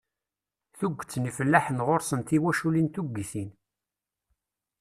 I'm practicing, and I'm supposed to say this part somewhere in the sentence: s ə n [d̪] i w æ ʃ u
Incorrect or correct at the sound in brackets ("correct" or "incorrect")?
incorrect